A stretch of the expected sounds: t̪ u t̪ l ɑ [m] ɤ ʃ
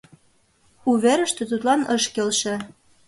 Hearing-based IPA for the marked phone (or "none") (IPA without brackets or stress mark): n